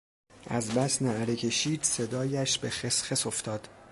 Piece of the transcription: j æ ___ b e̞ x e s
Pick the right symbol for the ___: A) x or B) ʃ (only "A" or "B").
B